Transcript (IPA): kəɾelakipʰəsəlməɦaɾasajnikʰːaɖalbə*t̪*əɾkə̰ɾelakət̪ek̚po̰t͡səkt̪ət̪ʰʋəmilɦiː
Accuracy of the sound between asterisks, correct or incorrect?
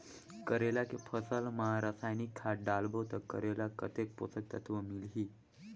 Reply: correct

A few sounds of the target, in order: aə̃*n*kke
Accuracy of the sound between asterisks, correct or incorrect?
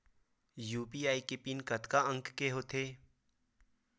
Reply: incorrect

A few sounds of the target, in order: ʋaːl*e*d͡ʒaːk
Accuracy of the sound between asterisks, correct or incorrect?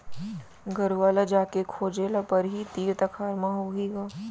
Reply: incorrect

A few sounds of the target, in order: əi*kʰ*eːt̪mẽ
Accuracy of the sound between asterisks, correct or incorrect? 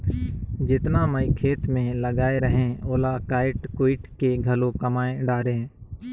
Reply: correct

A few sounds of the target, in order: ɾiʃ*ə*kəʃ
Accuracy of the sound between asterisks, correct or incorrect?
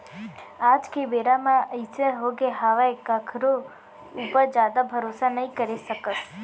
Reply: correct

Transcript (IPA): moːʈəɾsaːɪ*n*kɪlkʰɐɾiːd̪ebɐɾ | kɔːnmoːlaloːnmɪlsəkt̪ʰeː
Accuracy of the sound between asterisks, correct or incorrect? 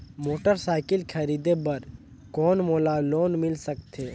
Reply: incorrect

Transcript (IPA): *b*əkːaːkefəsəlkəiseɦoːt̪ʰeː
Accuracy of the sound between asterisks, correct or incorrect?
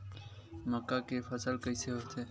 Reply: incorrect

